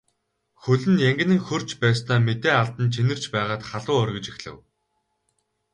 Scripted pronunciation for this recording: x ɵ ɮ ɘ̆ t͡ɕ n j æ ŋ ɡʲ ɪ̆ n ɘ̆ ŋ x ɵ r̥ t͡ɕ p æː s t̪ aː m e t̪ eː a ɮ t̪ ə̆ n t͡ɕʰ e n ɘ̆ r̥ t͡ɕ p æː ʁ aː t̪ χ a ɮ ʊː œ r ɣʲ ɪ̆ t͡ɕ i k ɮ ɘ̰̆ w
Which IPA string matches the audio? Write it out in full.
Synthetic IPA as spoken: x ɵ ɮ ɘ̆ n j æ ŋ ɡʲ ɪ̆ n ɘ̆ ŋ x ɵ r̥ t͡ɕ p æː s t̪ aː m e t̪ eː a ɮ t̪ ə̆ n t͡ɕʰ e n ɘ̆ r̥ t͡ɕ p æː ʁ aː t̪ χ a ɮ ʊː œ r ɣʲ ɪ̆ t͡ɕ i x ɮ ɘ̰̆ w